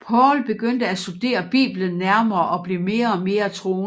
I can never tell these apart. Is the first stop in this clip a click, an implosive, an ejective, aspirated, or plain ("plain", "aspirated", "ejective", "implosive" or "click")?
aspirated